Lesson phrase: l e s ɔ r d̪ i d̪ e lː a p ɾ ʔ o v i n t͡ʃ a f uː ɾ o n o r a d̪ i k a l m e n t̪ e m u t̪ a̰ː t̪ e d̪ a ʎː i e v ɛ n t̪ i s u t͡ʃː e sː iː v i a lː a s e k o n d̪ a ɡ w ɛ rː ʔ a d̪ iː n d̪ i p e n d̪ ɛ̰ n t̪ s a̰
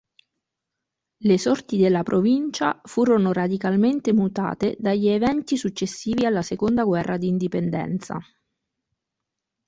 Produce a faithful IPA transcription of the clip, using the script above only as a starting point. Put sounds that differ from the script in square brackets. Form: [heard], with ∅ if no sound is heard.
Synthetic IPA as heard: l e s ɔ r [t̪] i d̪ e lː a p ɾ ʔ o v i n t͡ʃ a f uː ɾ o n o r a d̪ i k a l m e n t̪ e m u t̪ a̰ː t̪ e d̪ a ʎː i e v ɛ n t̪ i s u t͡ʃː e sː iː v i a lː a s e k o n d̪ a ɡ w ɛ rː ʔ a d̪ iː n d̪ i p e n d̪ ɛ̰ n t̪ s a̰